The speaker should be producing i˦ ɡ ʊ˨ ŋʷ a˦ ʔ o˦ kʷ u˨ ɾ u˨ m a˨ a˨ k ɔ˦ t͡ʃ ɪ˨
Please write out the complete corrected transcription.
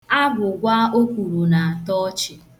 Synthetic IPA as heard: a˦ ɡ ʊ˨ ɡʷ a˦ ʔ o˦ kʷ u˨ ɾ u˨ n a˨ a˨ t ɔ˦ t͡ʃ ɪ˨